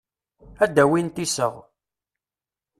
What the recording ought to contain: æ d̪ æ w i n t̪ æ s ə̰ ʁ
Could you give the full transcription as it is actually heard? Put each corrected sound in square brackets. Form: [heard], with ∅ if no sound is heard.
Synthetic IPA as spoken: æ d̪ æ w i n t̪ [i] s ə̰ ʁ

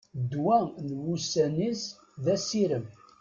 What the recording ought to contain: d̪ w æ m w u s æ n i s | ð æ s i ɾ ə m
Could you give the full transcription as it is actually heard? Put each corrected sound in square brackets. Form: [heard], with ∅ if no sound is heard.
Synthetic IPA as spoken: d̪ w æ [n] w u s æ n i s | ð æ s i ɾ ə m

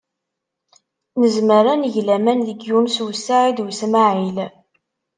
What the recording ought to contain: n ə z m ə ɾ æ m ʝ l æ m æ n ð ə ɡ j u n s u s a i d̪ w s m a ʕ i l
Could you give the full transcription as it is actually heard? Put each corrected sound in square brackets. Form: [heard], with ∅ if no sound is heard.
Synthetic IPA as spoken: n ə z m ə ɾ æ [n] ʝ l æ m æ n ð ə ɡ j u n s [w] s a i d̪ w s m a ʕ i l

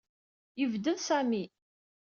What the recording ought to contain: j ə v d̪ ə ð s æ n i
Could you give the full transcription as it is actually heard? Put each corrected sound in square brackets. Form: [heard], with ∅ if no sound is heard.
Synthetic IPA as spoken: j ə v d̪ ə ð s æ [m] i

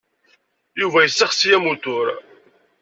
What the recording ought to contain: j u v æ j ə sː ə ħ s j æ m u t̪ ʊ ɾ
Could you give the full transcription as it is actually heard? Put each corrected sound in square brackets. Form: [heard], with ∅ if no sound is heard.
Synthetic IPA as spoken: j u v æ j ə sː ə [χ] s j æ m u t̪ ʊ ɾ

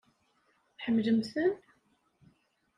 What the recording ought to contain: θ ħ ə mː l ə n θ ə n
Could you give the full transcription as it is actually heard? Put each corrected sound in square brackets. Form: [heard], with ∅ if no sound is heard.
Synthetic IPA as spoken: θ ħ ə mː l ə [m] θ ə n

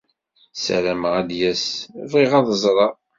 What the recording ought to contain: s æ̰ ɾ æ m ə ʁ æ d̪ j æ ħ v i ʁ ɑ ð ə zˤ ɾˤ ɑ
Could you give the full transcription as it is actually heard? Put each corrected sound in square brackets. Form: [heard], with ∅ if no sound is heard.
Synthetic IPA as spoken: s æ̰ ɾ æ m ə ʁ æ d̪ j æ [s] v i ʁ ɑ ð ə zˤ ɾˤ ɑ

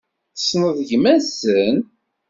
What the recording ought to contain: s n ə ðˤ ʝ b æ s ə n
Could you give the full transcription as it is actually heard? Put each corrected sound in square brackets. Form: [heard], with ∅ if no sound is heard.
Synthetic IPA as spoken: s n ə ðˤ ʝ [m] æ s ə n

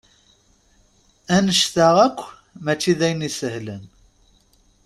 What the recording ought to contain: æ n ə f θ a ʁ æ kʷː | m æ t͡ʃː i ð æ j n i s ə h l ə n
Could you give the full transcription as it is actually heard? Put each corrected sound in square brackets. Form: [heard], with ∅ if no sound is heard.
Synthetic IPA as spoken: æ n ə [ʃ] θ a ʁ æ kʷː | m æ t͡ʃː i ð æ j n i s ə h l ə n

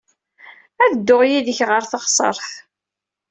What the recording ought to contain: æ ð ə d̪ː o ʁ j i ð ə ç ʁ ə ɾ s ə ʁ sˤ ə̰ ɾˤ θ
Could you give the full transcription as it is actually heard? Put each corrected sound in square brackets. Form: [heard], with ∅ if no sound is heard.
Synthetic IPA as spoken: æ ð ə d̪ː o ʁ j i ð ə ç ʁ ə ɾ [θ] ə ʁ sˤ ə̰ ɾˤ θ

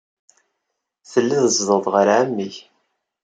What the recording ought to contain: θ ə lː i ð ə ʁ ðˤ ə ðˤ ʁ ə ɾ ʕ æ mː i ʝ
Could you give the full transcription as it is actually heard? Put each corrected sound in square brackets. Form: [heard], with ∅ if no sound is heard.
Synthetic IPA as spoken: θ ə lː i ð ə [z] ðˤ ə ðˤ ʁ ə ɾ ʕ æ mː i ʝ

